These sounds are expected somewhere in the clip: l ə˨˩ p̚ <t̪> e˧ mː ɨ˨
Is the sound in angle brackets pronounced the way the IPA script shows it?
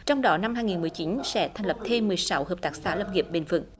no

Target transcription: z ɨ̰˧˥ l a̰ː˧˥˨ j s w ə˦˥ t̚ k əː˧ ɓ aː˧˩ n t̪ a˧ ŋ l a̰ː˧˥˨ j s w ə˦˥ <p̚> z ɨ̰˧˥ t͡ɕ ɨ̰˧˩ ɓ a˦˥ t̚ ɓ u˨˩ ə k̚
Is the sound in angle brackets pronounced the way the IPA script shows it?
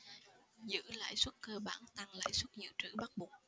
no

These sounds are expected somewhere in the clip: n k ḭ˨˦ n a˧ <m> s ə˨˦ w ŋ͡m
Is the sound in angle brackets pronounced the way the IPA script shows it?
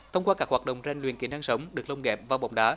no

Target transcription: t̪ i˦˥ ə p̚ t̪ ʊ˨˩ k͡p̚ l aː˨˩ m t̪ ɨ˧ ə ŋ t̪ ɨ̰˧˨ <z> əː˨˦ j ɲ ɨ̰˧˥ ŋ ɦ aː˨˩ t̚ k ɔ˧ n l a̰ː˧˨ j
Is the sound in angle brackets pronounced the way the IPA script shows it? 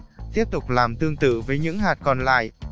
no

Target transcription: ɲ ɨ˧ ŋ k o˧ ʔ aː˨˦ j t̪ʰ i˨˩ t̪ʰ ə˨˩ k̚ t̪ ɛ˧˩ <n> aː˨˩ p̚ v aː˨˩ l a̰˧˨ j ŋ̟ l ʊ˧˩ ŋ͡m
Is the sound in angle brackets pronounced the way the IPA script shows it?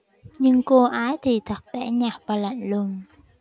no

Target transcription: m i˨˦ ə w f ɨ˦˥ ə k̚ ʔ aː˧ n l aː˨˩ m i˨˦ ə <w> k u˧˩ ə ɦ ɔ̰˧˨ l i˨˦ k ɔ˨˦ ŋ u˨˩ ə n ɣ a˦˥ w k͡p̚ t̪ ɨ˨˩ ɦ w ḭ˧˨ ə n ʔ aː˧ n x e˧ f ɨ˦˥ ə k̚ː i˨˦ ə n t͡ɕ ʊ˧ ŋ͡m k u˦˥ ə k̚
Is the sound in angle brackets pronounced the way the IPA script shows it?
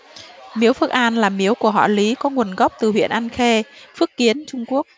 yes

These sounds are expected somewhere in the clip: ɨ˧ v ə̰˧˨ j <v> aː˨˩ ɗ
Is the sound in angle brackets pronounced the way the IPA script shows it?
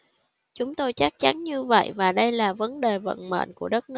yes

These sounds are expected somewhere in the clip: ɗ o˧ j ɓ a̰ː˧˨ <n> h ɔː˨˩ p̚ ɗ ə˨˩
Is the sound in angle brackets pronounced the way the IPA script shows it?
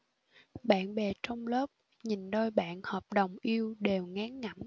yes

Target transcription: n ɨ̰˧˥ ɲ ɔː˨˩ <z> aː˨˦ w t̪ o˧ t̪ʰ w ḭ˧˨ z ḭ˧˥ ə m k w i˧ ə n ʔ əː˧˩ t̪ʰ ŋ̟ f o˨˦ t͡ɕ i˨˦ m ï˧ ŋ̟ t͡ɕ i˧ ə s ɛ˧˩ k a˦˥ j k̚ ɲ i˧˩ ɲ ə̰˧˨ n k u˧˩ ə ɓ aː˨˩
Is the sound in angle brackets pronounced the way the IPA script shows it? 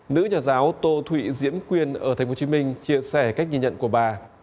yes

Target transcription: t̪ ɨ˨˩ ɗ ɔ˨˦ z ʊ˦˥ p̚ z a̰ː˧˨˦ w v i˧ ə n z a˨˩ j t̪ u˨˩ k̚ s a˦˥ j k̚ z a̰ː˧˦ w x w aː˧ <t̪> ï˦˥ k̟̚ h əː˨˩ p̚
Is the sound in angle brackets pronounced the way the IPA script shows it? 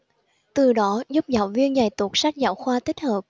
yes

